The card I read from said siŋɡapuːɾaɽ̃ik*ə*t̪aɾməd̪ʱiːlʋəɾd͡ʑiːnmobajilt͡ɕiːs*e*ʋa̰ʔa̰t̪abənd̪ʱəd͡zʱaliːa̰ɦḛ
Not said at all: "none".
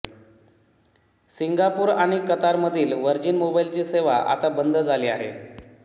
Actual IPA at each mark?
ə, e

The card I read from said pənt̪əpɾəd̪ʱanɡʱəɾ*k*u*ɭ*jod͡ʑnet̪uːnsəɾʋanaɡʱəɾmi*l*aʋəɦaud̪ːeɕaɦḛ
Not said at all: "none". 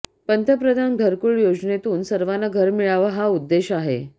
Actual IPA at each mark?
k, ɭ, ɭ

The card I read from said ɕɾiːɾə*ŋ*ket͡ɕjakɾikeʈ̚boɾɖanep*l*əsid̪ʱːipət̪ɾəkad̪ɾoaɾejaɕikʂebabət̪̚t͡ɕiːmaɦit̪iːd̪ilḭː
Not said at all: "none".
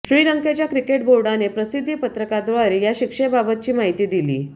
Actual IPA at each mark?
ŋ, ɾ

